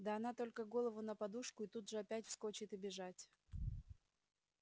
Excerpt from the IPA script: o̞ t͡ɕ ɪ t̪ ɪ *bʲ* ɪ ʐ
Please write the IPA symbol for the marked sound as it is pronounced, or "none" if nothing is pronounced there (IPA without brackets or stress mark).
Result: bʲ